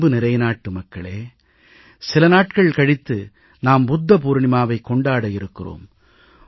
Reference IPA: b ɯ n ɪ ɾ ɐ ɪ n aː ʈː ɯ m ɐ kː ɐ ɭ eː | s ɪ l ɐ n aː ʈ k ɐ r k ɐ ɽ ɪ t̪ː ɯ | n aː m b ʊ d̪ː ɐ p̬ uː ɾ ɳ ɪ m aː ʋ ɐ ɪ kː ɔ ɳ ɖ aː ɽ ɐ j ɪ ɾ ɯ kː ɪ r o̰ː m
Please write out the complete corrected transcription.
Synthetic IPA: b ɯ n ɪ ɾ ɐ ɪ n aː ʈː ɯ m ɐ kː ɐ ɭ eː | s ɪ l ɐ n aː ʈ k ɐ ɭ k ɐ ɽ ɪ t̪ː ɯ | n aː m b ʊ d̪ː ɐ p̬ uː ɾ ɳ ɪ m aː ʋ ɐ ɪ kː ɔ ɳ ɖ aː ɽ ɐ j ɪ ɾ ɯ kː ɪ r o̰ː m